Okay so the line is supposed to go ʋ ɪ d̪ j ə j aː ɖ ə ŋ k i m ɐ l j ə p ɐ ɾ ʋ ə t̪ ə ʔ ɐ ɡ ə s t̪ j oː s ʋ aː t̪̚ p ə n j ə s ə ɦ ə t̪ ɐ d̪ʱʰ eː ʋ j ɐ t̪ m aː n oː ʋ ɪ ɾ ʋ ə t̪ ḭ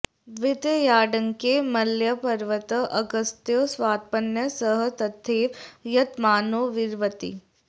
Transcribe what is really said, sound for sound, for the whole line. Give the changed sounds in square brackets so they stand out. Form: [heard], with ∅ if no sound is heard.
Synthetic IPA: ʋ ɪ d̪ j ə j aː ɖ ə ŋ k [e] m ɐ l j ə p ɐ ɾ ʋ ə t̪ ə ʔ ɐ ɡ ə s t̪ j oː s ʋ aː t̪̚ p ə n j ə s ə ɦ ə t̪ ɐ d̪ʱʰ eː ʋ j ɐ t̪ m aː n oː ʋ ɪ ɾ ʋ ə t̪ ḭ